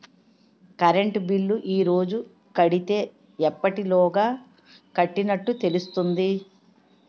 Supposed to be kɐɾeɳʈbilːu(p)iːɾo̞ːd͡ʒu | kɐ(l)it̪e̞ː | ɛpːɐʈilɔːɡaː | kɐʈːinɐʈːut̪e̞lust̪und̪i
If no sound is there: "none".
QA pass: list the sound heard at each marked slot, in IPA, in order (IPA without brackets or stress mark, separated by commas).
ʔ, ɽ